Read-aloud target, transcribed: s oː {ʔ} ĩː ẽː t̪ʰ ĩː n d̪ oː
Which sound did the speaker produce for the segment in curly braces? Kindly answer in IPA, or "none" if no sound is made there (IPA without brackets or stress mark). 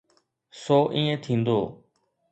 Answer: ʔ